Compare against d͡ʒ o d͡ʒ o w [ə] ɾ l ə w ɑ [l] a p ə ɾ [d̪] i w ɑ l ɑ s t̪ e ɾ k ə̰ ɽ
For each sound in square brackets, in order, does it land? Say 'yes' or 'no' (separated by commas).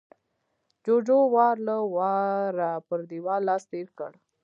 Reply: no, no, yes